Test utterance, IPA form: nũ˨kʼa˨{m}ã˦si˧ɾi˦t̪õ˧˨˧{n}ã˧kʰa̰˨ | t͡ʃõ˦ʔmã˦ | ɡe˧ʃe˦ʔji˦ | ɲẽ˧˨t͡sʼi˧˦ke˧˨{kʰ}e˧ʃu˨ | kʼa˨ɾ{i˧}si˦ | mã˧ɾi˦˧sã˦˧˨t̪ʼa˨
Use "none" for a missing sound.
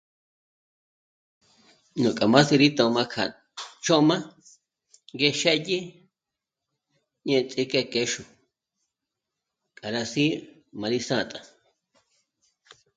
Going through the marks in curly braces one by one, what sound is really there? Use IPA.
m, m, k, a˧

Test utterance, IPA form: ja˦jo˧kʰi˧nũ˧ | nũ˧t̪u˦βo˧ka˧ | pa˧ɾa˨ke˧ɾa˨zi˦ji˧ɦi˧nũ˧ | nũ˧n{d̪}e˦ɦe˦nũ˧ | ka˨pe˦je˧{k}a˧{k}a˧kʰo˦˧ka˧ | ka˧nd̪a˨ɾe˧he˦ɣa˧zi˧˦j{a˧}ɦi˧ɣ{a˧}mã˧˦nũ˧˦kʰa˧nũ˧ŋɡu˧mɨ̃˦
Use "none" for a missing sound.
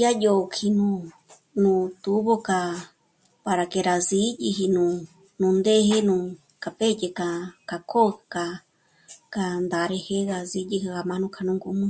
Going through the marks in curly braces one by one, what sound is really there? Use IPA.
d̪, k, k, i˧, a˧

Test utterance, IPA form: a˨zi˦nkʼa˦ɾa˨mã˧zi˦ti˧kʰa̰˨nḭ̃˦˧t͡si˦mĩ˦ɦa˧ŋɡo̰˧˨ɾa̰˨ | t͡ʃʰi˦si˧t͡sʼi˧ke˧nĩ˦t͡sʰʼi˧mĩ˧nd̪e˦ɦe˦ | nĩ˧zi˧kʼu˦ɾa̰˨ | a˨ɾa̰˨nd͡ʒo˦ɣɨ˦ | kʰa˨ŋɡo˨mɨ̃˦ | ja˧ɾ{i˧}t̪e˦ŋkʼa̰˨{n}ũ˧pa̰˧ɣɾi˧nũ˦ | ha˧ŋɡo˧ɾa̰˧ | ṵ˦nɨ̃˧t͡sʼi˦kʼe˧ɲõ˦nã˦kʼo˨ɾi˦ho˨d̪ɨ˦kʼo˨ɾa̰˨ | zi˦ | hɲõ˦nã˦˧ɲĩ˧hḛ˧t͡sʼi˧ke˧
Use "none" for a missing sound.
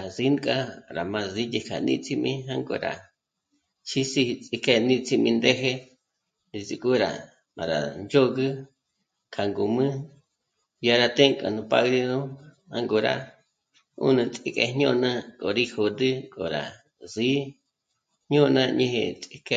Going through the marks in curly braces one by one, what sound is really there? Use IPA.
a˧, n

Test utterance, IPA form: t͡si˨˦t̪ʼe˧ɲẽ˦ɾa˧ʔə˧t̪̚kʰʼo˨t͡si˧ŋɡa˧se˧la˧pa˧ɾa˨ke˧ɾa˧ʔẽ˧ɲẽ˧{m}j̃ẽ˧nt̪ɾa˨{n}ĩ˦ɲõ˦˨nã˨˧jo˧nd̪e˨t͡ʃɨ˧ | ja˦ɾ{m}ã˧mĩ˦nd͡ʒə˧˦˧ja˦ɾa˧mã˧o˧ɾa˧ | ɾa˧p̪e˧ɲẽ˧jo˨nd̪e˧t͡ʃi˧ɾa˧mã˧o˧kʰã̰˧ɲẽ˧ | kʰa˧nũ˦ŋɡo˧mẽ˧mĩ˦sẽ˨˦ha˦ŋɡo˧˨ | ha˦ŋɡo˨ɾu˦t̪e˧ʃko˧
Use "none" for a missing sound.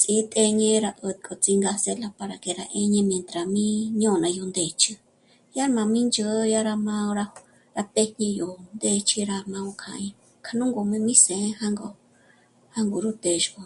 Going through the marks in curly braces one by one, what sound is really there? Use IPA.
m, m, m

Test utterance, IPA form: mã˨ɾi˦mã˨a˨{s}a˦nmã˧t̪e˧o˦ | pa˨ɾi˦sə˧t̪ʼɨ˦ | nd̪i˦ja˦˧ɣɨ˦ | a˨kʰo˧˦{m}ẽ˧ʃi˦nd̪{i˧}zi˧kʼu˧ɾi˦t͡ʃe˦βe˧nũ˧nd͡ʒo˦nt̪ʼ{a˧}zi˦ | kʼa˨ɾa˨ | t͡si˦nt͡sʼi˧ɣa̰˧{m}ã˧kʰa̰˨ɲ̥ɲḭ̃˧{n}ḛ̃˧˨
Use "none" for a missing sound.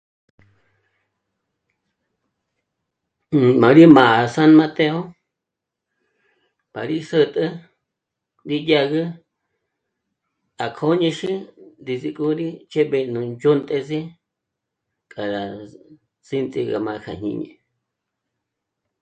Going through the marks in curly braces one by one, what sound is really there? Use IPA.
s, ɲ, i˧, e˧, m, ɲ

